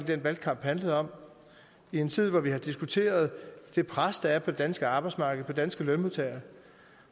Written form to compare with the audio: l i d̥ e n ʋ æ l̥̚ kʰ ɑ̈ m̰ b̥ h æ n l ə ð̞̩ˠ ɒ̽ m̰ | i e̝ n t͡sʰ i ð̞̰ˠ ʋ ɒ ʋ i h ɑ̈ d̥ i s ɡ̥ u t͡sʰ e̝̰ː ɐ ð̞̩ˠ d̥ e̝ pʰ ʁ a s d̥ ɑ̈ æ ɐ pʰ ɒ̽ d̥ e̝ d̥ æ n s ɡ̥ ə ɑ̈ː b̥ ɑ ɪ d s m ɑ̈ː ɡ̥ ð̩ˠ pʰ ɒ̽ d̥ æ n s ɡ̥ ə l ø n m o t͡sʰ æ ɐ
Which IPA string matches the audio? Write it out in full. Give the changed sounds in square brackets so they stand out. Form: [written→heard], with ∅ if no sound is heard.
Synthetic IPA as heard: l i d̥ e n ʋ æ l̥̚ kʰ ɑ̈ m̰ b̥ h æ n l ə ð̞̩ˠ ɒ̽ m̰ | i e̝ n t͡sʰ i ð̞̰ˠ ʋ ɒ ʋ i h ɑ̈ d̥ i s ɡ̥ u t͡sʰ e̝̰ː ɐ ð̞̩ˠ d̥ e̝ pʰ ʁ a s d̥ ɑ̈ æ ɐ pʰ ɒ̽ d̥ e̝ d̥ æ n s ɡ̥ ə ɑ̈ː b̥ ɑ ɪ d s m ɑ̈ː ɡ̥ ð̩ˠ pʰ ɒ̽ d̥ æ n s ɡ̥ ə l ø n m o t͡sʰ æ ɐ